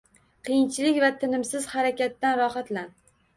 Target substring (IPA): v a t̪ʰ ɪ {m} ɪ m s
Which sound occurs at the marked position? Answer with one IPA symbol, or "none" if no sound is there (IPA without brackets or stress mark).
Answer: n